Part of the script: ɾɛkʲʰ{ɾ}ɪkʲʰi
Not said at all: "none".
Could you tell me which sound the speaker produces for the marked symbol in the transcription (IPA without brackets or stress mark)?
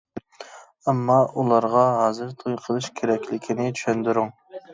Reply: l